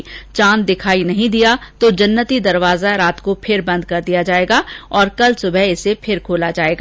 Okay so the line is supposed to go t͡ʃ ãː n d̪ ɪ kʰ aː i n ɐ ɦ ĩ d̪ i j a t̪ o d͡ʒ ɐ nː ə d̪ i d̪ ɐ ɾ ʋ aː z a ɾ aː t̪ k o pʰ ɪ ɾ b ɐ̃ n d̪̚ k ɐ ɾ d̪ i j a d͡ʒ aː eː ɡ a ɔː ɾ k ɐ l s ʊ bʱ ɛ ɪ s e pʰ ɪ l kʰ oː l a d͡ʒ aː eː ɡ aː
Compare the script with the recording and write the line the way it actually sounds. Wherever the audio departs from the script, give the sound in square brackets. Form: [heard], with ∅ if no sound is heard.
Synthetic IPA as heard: t͡ʃ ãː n d̪ ɪ kʰ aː i n ɐ ɦ ĩ d̪ i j a t̪ o d͡ʒ ɐ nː ə [t̪] i d̪ ɐ ɾ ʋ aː z a ɾ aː t̪ k o pʰ ɪ ɾ b ɐ̃ n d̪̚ k ɐ ɾ d̪ i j a d͡ʒ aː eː ɡ a ɔː ɾ k ɐ l s ʊ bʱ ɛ ɪ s e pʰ ɪ [ɾ] kʰ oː l a d͡ʒ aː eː ɡ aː